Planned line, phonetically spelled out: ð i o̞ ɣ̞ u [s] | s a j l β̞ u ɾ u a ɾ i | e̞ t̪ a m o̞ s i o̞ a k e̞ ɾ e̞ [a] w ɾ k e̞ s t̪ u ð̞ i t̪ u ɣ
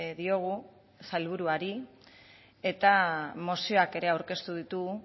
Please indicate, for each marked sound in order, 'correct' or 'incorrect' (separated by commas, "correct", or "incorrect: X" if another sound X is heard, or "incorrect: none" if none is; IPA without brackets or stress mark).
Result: incorrect: none, correct